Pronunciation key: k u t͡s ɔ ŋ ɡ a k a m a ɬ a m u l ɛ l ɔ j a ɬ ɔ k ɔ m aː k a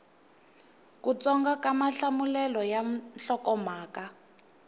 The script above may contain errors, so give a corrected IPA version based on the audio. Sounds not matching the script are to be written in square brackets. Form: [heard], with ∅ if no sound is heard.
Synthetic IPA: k u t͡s ɔ ŋ ɡ a k a m a ɬ a m u l ɛ l ɔ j a ɬ ɔ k ɔ m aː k a